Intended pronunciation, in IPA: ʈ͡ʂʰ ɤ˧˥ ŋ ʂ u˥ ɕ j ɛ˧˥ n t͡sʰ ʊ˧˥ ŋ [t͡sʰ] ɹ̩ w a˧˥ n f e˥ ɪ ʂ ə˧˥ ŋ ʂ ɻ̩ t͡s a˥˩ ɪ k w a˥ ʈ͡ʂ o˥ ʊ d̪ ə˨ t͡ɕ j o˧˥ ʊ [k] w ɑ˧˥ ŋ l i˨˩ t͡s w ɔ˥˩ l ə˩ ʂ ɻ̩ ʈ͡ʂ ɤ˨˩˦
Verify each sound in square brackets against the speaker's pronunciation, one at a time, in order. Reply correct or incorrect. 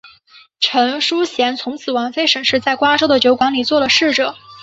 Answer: correct, correct

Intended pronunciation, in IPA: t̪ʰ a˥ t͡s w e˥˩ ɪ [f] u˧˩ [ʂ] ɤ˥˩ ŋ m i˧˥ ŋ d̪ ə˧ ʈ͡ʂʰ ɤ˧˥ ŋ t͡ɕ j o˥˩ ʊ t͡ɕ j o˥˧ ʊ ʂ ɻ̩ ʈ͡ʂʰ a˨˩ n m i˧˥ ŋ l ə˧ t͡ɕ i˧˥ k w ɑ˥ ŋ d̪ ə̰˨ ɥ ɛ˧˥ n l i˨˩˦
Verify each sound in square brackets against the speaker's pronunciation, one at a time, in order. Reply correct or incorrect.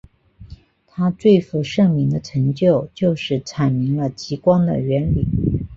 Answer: correct, correct

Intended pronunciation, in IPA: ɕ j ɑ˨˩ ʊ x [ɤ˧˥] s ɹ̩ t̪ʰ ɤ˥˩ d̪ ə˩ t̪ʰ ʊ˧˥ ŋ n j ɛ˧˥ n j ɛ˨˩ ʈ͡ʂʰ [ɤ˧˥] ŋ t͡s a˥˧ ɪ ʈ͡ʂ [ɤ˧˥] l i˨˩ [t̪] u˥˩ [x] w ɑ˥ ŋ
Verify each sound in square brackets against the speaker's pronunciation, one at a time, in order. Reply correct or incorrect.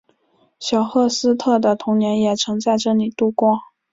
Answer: incorrect, correct, incorrect, correct, incorrect

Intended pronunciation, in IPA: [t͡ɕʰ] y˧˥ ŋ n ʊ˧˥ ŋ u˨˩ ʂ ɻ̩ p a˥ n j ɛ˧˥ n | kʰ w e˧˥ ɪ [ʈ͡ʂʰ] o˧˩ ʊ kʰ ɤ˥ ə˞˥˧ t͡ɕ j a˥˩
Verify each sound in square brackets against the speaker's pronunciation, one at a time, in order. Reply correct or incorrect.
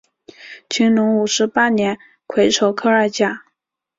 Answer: correct, correct

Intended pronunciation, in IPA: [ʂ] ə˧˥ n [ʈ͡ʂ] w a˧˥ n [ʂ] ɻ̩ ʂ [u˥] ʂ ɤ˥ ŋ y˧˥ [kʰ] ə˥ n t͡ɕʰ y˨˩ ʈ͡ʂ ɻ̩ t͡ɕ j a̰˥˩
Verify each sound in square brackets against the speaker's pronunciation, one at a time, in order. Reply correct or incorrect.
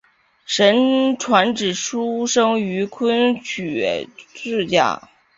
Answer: correct, incorrect, incorrect, correct, correct

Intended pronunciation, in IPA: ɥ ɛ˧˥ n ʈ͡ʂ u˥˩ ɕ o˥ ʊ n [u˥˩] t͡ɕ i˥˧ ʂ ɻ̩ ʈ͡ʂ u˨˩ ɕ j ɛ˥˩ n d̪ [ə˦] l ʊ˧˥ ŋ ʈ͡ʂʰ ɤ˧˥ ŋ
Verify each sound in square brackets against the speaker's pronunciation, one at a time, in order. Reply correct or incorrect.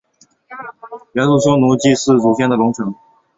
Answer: incorrect, incorrect

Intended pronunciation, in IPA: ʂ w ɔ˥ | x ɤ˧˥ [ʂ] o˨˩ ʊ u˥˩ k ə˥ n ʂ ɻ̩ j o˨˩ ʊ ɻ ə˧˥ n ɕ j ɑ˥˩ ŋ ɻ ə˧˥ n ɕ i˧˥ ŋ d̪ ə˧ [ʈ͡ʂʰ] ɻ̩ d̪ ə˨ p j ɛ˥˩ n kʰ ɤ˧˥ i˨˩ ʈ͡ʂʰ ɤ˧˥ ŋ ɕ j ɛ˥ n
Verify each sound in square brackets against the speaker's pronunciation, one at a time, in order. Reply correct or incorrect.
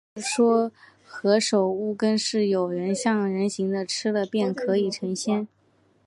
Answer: correct, correct

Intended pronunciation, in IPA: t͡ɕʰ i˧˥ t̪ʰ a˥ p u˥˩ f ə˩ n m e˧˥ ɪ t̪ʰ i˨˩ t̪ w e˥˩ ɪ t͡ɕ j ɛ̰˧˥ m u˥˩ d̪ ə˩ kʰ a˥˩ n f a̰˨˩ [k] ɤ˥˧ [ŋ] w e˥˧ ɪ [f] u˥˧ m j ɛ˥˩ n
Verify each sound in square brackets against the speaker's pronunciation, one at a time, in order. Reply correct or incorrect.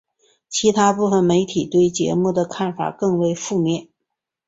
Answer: correct, correct, correct

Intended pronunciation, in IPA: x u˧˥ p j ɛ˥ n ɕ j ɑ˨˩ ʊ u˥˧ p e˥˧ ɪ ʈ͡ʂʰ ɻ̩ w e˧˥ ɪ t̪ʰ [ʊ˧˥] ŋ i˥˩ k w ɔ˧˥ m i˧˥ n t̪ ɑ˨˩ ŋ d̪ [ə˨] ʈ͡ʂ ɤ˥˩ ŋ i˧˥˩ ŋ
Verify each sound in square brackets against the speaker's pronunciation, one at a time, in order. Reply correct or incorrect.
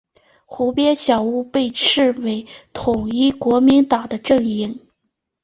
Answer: incorrect, incorrect

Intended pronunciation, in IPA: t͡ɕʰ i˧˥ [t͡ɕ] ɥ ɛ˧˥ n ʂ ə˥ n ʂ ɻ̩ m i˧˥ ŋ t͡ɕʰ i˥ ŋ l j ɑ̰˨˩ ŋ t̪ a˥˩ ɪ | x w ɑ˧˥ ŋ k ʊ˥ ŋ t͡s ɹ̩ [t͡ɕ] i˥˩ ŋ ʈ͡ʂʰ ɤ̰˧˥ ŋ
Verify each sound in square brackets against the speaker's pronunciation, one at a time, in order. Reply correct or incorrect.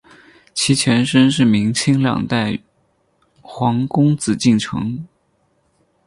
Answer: incorrect, correct

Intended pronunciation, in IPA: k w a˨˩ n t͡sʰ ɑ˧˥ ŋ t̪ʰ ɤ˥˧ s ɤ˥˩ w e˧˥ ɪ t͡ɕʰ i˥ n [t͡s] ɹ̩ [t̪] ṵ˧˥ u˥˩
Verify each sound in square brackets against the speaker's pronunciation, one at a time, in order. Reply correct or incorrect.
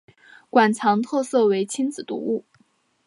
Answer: correct, correct

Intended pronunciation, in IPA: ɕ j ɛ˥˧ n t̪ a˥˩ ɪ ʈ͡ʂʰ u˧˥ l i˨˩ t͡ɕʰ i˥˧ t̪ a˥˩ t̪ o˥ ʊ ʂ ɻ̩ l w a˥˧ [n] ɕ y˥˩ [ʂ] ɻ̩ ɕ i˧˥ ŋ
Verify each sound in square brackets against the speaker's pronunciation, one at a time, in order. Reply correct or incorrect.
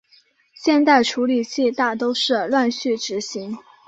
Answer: correct, incorrect

